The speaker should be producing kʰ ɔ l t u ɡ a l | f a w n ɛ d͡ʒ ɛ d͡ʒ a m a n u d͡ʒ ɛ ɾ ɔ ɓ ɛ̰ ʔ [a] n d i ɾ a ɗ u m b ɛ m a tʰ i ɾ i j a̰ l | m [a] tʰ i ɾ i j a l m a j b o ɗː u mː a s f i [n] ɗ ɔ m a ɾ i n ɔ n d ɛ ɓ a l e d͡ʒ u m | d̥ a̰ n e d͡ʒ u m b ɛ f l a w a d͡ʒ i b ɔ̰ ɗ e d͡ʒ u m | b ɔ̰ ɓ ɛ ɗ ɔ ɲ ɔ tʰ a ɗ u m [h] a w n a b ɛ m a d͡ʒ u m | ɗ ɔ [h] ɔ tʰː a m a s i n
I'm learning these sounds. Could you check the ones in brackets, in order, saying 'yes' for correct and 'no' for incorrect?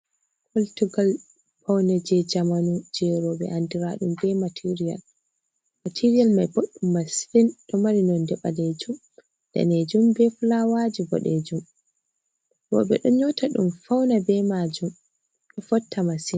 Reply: yes, yes, yes, no, no

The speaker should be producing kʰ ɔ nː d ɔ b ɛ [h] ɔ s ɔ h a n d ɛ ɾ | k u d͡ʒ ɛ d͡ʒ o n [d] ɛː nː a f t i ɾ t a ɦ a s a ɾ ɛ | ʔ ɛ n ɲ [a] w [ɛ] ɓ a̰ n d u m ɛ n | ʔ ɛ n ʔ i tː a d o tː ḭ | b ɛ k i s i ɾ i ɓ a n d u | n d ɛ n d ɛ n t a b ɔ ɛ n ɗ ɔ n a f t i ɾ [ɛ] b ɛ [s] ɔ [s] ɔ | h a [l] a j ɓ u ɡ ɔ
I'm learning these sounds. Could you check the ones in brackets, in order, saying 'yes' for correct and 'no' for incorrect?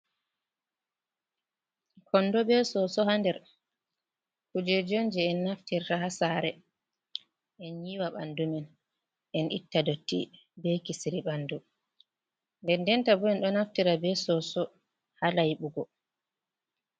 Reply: no, no, no, no, no, yes, yes, yes

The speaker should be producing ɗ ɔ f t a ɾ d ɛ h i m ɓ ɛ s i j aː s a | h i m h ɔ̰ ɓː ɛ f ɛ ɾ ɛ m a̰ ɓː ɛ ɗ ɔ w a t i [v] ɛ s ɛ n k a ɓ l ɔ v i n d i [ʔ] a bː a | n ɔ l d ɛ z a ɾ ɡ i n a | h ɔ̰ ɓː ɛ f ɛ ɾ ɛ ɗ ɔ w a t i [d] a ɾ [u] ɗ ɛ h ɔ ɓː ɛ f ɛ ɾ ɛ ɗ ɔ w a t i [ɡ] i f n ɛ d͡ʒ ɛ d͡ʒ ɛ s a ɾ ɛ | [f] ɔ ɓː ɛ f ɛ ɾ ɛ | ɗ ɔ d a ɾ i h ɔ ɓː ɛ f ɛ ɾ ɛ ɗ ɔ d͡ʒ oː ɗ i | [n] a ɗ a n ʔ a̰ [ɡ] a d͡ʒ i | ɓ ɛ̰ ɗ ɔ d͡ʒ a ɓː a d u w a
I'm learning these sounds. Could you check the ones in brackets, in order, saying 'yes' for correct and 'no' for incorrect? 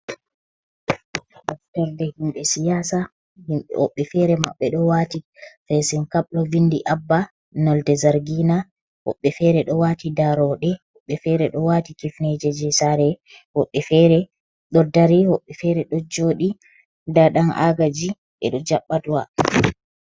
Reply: no, yes, yes, no, no, no, no, yes

